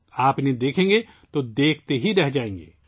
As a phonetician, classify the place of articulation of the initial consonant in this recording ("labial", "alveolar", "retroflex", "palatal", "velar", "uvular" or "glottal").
labial